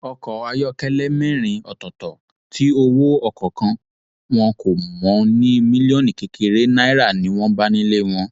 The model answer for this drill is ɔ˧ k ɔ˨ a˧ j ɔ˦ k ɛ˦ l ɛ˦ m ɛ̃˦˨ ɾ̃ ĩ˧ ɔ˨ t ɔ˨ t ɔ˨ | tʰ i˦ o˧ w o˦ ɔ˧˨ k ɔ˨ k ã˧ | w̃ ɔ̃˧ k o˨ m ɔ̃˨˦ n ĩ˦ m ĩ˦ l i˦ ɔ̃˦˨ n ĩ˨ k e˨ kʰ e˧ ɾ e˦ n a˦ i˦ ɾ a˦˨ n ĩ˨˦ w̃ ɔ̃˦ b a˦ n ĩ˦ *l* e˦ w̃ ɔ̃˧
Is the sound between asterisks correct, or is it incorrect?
correct